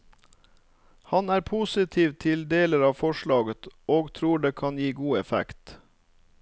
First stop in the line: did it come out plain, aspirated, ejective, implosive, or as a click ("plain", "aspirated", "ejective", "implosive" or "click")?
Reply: aspirated